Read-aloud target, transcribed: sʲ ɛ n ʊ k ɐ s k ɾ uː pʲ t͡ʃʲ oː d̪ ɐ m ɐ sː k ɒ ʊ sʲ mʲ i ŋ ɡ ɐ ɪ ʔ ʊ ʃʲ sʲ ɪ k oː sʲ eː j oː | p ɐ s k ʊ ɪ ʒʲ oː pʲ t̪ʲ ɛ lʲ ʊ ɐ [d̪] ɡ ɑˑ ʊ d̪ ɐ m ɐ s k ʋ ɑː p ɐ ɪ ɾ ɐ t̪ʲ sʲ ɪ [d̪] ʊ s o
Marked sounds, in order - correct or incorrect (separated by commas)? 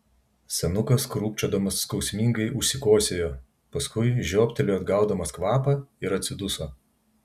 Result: correct, correct